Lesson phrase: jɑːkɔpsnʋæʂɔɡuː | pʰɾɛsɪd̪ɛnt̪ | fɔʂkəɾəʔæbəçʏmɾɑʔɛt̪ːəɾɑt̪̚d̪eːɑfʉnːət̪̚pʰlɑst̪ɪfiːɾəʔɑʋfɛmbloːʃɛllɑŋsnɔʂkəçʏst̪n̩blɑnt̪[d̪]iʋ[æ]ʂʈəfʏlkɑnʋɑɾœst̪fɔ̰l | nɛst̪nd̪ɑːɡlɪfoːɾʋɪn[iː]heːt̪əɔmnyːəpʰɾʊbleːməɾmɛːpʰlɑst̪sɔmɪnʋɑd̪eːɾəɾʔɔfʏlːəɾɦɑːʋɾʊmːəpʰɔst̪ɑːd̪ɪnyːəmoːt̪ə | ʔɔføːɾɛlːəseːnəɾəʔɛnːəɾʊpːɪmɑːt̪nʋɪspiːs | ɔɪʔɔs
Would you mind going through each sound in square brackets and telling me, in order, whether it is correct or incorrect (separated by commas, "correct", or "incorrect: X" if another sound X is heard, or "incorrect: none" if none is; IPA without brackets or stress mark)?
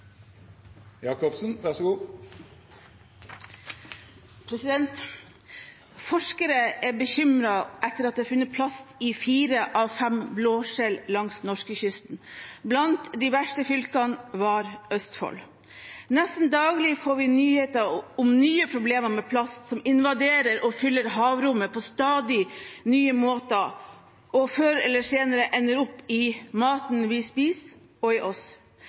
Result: correct, correct, incorrect: yː